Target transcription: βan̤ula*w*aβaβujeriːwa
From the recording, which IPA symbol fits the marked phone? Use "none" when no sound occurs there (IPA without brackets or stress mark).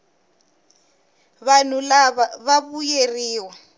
β